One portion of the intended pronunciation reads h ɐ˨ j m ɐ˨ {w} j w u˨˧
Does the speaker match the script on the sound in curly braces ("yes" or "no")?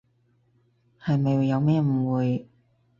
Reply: no